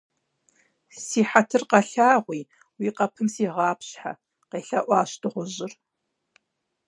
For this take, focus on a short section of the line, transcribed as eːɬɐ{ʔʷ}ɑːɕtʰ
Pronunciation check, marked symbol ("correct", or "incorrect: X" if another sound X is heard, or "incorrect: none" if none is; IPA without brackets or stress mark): correct